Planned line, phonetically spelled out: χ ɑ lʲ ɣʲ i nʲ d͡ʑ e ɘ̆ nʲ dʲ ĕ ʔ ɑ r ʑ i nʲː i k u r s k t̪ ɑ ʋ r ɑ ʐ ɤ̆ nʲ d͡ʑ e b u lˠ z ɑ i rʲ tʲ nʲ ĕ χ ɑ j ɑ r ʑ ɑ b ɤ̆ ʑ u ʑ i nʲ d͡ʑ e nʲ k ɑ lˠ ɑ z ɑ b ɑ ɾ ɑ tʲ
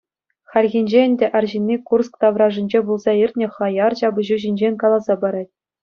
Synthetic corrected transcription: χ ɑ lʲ ɣʲ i nʲ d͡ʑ e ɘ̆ nʲ dʲ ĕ ʔ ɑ r ʑ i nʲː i k u r s k t̪ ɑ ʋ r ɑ ʐ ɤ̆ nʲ d͡ʑ e b u lˠ z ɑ i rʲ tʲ nʲ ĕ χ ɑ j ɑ r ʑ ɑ b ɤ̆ ʑ u ʑ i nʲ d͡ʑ e nʲ k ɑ lˠ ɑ z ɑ b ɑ ɾ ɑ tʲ